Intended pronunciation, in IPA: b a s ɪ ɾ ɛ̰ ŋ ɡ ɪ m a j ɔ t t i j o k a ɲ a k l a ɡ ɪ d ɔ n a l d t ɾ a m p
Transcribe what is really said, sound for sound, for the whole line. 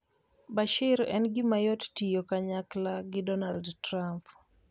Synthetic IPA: b a ʃ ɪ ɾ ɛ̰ n ɡ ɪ m a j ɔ t t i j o k a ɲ a k l a ɡ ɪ d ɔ n a l d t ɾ a m p